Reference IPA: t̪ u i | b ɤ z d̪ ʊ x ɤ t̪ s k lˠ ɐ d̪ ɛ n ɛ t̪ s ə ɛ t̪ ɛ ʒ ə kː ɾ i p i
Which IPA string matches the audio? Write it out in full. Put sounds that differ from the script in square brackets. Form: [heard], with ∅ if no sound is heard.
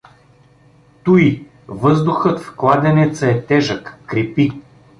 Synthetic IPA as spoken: t̪ u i | [v] ɤ z d̪ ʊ x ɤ t̪ [f] k lˠ [a] d̪ ɛ n ɛ t̪ s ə ɛ t̪ ɛ ʒ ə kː ɾ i p i

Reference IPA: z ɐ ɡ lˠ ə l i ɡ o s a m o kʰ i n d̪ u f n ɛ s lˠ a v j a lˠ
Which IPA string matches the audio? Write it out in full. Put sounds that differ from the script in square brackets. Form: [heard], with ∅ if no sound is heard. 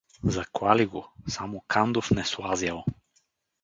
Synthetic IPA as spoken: z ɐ [k] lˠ [a] l i ɡ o s a m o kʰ [a] n d̪ [o] f n ɛ s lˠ a [z] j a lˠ

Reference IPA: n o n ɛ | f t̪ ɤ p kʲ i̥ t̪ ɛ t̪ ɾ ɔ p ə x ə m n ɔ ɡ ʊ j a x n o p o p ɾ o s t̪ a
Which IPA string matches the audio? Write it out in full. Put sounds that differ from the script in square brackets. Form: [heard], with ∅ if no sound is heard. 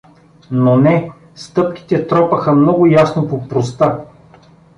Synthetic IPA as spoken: n o n ɛ | [s] t̪ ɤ p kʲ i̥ t̪ ɛ t̪ ɾ ɔ p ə x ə m n ɔ ɡ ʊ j a [s] n o p o p ɾ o s t̪ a

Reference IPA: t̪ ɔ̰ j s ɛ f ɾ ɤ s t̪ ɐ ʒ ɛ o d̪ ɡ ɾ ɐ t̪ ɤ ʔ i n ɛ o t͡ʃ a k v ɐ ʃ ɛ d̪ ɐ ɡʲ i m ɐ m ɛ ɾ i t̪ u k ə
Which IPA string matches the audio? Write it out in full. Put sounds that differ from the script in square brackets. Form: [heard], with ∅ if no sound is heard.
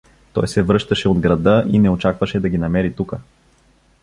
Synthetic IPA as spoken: t̪ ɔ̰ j s ɛ [v] ɾ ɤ [ʃ] t̪ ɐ [ʃ] ɛ o d̪ ɡ ɾ ɐ [d̪] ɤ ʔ i n ɛ o t͡ʃ a k v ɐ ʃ ɛ d̪ ɐ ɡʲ i [n] ɐ m ɛ ɾ i t̪ u k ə

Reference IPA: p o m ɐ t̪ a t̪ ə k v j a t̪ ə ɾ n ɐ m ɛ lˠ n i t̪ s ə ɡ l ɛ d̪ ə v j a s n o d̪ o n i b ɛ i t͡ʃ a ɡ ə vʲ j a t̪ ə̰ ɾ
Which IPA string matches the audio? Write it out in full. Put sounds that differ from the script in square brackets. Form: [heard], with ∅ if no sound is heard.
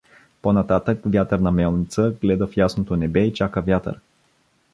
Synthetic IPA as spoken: p o [n] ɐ t̪ a t̪ ə k v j a t̪ ə ɾ n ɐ m ɛ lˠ n i t̪ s ə ɡ l ɛ d̪ ə [f] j a s n o [t̪] o n [ɛ] b ɛ i t͡ʃ a [k] ə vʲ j a t̪ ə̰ ɾ

